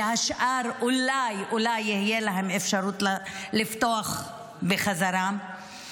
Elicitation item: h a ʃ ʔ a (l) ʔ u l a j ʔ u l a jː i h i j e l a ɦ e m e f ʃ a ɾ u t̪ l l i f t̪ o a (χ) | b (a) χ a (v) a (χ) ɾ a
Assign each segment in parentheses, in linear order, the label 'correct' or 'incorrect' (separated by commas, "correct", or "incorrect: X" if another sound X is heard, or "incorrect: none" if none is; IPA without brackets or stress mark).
incorrect: ɾ, correct, incorrect: e, incorrect: z, incorrect: none